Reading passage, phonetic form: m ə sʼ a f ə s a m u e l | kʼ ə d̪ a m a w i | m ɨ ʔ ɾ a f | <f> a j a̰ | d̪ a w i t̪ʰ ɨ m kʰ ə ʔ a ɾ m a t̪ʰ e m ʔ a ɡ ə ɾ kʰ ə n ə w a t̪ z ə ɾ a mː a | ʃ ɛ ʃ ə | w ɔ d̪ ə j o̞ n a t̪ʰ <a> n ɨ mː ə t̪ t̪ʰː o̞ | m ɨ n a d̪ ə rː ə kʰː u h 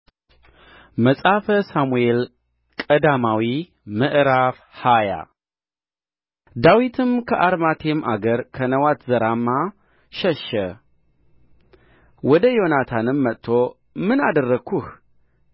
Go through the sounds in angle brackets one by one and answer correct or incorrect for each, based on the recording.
incorrect, correct

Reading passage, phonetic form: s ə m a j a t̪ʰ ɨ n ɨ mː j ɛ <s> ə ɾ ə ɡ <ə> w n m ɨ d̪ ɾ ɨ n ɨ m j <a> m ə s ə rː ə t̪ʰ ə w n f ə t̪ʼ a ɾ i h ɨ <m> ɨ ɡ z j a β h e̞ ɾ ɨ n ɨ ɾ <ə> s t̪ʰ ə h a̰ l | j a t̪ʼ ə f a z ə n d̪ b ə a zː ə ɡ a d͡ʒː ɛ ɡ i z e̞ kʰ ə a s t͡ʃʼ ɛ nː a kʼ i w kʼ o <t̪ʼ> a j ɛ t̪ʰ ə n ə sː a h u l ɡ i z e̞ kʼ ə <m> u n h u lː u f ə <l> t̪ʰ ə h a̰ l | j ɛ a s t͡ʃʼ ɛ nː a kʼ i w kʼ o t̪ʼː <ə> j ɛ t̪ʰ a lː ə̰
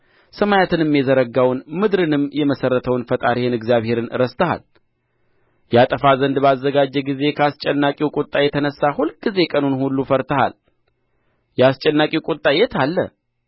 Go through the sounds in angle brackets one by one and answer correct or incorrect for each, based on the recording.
incorrect, incorrect, incorrect, incorrect, correct, correct, incorrect, incorrect, incorrect

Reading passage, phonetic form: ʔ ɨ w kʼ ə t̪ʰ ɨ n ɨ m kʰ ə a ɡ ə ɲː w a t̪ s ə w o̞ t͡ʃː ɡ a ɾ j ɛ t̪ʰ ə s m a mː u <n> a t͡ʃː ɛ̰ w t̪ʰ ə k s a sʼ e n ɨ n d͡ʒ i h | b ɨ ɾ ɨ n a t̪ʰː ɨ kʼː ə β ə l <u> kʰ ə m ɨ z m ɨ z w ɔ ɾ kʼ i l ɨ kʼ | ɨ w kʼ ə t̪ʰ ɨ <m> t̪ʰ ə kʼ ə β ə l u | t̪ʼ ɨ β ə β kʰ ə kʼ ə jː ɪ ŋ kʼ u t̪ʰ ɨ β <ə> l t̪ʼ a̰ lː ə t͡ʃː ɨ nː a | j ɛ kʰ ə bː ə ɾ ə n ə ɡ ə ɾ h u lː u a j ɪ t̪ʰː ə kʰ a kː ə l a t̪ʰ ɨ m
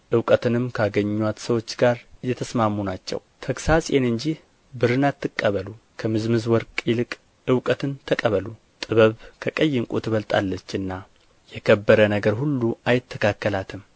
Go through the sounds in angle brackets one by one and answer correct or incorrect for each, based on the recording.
correct, correct, incorrect, correct

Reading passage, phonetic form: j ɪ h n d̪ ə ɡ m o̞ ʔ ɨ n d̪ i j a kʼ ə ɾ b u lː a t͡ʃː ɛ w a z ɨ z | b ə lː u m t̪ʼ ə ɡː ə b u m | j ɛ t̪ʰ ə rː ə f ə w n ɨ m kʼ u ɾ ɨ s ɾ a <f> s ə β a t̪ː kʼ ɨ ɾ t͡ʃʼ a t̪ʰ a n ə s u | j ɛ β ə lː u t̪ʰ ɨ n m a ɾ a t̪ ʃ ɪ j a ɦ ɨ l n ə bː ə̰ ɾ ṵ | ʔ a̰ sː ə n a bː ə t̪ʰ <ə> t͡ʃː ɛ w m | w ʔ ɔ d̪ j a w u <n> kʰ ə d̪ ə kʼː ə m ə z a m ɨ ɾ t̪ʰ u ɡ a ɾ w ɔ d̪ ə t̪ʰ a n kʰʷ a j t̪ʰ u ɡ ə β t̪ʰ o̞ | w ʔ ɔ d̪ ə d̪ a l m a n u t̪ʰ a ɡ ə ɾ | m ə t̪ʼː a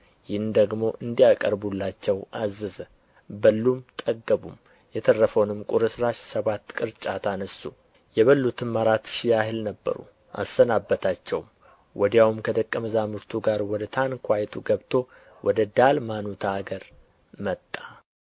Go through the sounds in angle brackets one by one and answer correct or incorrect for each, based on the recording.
incorrect, incorrect, incorrect

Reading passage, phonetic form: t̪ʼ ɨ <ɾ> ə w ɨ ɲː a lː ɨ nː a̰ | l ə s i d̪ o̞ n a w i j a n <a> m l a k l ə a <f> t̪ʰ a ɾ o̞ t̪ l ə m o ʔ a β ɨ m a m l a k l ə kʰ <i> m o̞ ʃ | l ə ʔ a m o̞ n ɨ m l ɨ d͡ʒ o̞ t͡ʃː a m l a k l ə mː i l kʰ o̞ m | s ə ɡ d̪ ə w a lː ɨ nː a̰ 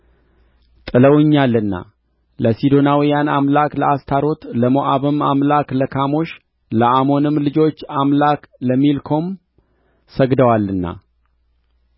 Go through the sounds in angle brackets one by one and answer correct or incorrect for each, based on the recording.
incorrect, correct, incorrect, incorrect

